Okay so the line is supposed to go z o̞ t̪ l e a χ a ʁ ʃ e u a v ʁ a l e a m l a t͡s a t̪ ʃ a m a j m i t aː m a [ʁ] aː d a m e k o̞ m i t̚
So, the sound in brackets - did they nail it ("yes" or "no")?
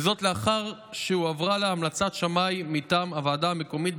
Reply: no